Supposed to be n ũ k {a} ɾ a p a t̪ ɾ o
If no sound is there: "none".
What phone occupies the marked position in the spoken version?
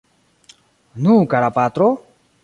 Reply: a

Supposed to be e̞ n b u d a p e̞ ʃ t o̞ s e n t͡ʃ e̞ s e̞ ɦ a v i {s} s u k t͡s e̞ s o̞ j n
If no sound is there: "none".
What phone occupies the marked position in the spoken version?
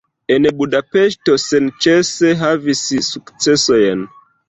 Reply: s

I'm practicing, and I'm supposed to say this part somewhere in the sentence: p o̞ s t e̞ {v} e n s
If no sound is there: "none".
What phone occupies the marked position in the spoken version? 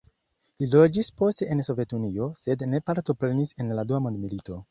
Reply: none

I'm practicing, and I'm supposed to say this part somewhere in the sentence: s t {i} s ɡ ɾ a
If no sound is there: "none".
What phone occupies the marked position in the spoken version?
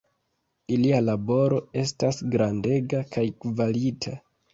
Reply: a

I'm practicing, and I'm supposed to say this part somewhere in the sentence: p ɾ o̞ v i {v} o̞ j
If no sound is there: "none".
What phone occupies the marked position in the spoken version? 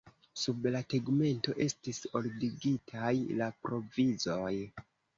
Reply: z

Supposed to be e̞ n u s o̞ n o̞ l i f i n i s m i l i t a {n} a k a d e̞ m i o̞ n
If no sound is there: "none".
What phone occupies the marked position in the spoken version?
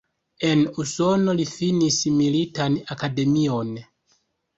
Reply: n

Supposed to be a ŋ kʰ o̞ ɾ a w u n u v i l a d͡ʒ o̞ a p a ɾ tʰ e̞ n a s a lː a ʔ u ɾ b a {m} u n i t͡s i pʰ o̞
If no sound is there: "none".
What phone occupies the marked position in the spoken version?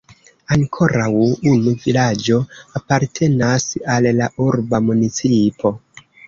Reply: m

